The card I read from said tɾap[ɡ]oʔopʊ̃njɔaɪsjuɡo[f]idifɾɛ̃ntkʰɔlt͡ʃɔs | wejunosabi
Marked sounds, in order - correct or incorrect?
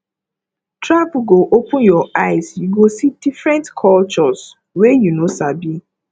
correct, incorrect

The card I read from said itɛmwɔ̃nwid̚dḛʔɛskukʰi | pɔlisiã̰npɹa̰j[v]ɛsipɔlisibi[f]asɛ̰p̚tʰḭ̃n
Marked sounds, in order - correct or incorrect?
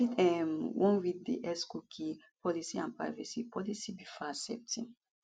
correct, correct

